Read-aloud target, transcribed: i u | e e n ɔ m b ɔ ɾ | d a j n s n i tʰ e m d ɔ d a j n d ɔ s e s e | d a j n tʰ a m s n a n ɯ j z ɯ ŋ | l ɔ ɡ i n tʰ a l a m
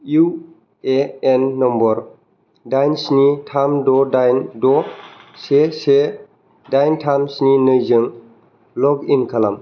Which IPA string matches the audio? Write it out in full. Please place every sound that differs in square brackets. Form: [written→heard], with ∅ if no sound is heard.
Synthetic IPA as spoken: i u | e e [n→nː] ɔ m b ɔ ɾ | d a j n s n i tʰ [e→a] m d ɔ d a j n d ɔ s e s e | d a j n tʰ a m s n [a→i] n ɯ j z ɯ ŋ | l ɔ ɡ i n [tʰ→kʰ] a l a m